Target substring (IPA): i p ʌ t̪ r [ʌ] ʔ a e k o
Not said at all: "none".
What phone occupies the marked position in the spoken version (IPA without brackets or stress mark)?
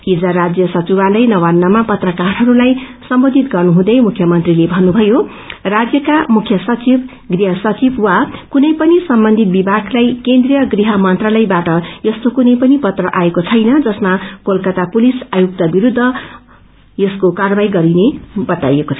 ʌ